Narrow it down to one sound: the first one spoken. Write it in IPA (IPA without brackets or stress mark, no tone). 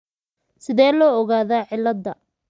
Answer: s